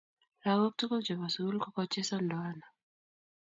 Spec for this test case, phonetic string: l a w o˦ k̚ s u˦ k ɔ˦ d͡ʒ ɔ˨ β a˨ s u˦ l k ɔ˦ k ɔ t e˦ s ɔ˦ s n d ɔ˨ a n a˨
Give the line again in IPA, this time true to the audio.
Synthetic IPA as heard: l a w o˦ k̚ t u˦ k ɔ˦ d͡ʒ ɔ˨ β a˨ s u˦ l k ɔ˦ k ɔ t͡ʃ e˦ s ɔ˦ n d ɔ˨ a n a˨